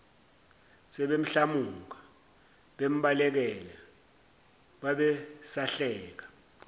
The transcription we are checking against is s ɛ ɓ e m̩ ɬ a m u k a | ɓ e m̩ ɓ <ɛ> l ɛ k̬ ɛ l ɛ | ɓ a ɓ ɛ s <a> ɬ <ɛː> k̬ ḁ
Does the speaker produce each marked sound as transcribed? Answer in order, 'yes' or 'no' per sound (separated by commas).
no, yes, yes